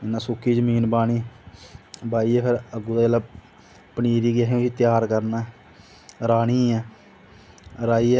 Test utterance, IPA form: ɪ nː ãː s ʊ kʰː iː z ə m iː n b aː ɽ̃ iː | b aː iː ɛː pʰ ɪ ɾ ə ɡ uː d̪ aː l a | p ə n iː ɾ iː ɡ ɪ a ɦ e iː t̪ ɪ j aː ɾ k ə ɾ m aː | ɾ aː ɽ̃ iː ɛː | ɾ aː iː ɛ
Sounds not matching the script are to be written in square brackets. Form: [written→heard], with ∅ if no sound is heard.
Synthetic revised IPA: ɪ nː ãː s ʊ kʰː iː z ə m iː n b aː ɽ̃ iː | b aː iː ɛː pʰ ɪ ɾ ə ɡ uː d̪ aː l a | p ə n iː ɾ iː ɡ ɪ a ɦ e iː t̪ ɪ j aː ɾ k ə ɾ [m→n] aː | ɾ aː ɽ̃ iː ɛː | ɾ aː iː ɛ